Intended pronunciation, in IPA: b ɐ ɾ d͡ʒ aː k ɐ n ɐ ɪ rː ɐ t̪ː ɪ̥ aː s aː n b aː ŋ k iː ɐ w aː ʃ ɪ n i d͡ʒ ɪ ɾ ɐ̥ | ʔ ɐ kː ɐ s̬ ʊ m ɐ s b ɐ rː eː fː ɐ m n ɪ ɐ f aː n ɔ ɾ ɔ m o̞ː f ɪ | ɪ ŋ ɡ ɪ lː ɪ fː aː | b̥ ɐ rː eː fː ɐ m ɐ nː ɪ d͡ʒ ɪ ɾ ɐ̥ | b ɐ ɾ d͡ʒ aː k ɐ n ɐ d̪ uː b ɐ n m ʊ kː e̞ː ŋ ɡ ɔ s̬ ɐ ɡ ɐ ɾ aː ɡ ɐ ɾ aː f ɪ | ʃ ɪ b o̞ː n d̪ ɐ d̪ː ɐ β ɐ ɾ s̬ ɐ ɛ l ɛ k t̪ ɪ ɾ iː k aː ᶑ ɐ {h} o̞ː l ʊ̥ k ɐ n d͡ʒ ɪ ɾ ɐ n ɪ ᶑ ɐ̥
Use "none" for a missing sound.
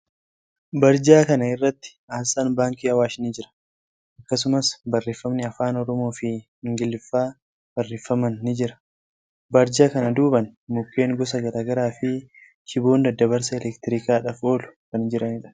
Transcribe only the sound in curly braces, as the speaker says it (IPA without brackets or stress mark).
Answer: f